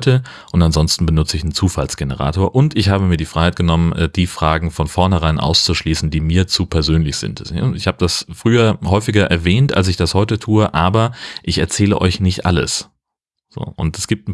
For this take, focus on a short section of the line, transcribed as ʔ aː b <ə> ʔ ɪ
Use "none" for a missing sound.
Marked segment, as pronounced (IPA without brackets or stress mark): ɐ